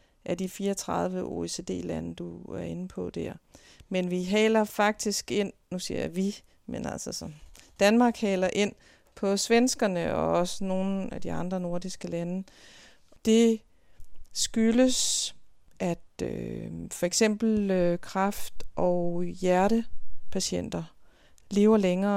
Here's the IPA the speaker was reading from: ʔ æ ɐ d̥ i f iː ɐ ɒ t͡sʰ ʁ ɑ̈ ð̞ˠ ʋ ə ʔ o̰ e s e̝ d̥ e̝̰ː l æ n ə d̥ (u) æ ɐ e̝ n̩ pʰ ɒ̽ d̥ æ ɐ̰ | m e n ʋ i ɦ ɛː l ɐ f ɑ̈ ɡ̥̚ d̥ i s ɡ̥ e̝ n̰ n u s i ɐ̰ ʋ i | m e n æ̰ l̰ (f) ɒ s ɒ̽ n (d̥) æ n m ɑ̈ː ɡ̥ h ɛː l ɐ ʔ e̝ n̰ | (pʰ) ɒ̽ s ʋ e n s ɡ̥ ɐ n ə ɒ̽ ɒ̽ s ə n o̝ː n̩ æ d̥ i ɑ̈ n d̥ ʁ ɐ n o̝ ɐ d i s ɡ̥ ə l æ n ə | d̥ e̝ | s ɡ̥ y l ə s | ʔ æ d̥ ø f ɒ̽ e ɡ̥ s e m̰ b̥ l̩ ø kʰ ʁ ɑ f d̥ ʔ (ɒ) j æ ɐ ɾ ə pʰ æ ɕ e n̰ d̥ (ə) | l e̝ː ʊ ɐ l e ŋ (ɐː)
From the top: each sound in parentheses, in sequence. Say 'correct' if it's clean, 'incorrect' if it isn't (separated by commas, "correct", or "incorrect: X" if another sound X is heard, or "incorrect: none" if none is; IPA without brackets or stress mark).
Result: correct, incorrect: s, correct, correct, correct, incorrect: ɐ, correct